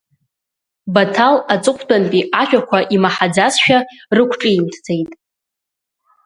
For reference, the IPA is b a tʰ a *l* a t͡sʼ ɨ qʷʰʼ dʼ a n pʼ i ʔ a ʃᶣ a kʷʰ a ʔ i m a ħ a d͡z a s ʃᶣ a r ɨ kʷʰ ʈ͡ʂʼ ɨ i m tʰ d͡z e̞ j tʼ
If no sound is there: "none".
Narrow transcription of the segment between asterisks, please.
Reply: l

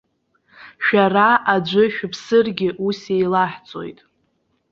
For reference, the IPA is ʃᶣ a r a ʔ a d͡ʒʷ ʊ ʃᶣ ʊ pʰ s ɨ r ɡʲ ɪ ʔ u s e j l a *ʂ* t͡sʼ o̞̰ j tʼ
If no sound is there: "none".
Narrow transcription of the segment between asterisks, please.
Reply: ħ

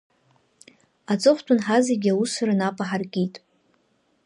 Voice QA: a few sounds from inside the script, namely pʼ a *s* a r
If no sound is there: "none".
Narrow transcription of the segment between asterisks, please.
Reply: ħ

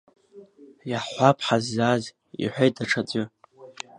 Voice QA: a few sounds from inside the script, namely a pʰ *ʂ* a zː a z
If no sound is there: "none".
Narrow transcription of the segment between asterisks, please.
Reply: ħ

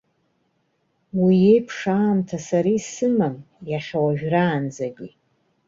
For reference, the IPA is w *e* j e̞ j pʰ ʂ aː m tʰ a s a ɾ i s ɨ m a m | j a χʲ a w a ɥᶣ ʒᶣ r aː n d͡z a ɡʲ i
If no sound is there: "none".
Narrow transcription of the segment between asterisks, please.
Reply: i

